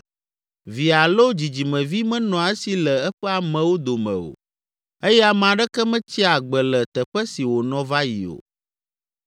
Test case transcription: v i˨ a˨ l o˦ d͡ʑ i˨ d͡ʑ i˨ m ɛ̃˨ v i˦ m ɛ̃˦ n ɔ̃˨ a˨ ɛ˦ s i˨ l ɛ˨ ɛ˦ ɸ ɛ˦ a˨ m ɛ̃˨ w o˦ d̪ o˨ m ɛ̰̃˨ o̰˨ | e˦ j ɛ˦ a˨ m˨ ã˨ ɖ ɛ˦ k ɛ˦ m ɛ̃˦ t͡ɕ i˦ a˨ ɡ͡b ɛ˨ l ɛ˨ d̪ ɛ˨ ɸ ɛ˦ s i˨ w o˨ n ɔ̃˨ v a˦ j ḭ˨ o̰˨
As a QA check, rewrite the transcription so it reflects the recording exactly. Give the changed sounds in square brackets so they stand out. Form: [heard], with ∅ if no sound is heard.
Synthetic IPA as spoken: v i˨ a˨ l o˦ d͡ʑ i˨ d͡ʑ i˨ m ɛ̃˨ v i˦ m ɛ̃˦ n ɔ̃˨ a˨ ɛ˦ s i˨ l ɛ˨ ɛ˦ ɸ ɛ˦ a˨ m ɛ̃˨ w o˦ d̪ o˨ m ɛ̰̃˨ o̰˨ | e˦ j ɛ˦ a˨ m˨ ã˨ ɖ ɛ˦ k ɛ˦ m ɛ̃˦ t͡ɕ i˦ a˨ ɡ͡b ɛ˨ l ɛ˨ [t̪] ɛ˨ ɸ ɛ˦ s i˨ w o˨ n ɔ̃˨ v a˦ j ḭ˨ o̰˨